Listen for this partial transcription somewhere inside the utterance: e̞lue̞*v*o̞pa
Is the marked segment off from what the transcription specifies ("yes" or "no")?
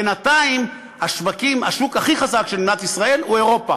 yes